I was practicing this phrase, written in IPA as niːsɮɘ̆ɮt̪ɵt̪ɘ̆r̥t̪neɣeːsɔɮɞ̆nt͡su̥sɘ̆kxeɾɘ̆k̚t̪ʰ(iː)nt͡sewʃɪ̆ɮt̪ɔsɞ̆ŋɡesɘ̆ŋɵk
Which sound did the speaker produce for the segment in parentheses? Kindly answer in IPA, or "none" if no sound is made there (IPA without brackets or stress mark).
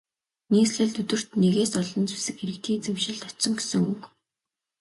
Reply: iː